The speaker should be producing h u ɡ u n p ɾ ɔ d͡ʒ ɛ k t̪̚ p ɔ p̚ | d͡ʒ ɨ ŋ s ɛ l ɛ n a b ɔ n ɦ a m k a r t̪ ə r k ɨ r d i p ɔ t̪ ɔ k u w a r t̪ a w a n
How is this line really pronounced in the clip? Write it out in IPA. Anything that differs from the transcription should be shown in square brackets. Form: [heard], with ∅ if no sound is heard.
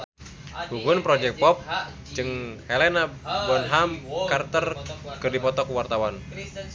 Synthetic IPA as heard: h u ɡ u n p ɾ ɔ d͡ʒ ɛ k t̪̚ p ɔ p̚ | d͡ʒ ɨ ŋ [h] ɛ l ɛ n a b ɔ n ɦ a m k a r t̪ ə r k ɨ r d i p ɔ t̪ ɔ k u w a r t̪ a w a n